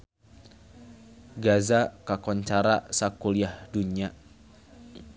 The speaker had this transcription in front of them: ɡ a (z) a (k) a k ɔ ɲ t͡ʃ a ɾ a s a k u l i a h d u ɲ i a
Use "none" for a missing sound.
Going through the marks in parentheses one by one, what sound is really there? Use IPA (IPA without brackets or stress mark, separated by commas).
z, k